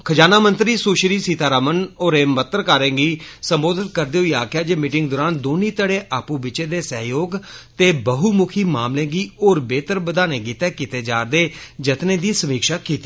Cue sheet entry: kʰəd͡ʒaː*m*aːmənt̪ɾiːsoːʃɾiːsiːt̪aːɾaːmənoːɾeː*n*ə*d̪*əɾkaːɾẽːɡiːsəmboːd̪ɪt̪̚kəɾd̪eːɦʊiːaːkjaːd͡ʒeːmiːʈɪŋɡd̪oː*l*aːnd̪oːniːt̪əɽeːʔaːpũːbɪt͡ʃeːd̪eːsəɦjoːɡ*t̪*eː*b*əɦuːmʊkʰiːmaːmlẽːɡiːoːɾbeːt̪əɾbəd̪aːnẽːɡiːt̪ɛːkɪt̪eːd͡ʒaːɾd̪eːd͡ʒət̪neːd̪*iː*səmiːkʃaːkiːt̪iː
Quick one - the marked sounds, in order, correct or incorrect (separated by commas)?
incorrect, incorrect, incorrect, incorrect, correct, correct, correct